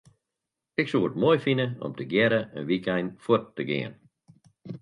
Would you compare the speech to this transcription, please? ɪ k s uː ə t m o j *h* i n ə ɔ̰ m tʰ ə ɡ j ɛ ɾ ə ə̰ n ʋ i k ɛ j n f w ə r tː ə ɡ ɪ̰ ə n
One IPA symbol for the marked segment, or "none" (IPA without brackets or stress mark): f